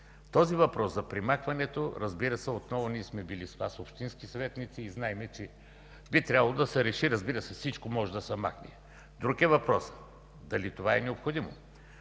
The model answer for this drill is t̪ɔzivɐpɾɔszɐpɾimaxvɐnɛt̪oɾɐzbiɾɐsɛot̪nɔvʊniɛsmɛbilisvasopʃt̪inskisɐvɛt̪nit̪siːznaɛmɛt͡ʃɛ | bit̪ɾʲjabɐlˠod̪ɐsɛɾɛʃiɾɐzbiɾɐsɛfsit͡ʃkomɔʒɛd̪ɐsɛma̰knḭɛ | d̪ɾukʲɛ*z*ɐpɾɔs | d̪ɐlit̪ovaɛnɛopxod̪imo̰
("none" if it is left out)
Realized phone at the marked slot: v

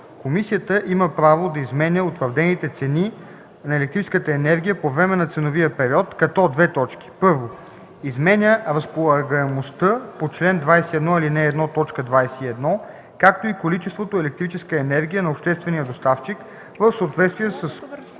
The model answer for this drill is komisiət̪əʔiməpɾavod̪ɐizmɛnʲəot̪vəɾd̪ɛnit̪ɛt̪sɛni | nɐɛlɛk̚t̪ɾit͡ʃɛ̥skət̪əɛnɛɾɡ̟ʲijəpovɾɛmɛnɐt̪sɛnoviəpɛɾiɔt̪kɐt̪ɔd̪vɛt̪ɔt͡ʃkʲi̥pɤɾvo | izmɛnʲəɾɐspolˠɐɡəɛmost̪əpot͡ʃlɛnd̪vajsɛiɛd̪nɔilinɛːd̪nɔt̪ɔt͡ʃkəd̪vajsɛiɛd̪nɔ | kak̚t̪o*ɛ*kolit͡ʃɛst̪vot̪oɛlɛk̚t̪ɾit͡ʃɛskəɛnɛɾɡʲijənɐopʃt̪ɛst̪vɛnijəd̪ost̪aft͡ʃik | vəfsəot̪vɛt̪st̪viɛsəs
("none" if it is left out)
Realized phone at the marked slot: i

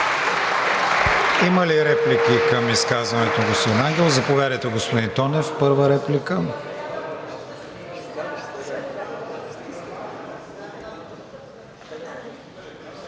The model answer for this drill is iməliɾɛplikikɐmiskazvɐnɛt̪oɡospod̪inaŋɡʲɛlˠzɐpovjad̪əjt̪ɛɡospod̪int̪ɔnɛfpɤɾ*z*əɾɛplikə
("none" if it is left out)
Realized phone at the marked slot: v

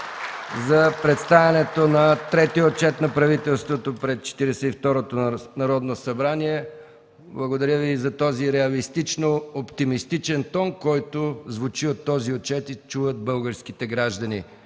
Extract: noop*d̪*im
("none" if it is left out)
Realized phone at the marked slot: t̪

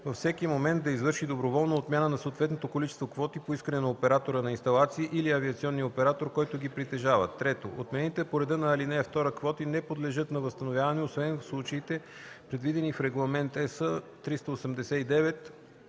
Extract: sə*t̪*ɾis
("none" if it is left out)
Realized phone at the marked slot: t̪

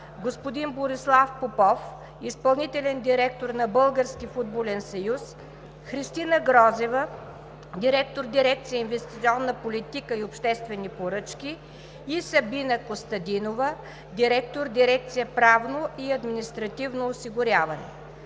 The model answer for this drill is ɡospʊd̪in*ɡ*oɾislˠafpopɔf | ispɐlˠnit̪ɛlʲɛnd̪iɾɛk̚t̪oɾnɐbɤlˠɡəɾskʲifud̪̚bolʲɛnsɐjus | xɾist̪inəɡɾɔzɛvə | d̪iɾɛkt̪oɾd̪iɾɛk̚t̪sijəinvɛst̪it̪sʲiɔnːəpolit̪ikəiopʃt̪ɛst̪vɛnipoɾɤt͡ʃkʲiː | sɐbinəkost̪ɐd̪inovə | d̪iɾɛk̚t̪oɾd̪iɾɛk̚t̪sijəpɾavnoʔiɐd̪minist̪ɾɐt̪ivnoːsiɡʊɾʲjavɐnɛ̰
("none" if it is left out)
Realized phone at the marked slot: b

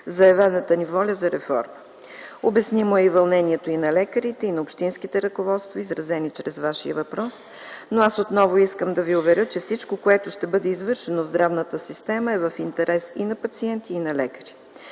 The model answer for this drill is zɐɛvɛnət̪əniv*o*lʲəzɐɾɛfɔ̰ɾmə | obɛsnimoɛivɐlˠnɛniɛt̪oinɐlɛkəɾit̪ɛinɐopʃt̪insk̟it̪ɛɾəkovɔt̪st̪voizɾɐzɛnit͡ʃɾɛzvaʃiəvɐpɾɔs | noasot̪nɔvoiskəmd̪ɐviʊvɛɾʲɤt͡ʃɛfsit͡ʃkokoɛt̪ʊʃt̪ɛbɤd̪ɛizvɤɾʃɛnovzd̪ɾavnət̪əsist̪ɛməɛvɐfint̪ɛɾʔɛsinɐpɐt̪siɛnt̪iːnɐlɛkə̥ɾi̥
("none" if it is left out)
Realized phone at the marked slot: ɔ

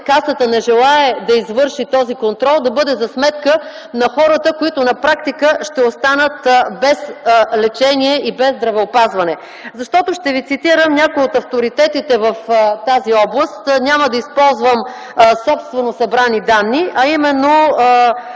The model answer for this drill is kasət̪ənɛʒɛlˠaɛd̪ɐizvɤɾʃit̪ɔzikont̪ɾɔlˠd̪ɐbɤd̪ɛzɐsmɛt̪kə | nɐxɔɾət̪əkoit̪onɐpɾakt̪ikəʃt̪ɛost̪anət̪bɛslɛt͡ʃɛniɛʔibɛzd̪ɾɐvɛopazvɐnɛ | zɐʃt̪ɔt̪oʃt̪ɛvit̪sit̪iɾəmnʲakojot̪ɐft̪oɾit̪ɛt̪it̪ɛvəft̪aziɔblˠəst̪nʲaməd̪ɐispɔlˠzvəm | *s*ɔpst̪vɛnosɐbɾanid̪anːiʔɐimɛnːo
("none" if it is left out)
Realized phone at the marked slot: s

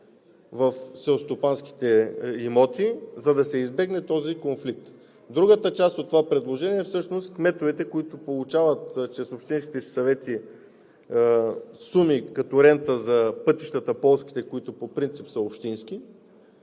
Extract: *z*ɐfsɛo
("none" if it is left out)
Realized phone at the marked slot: v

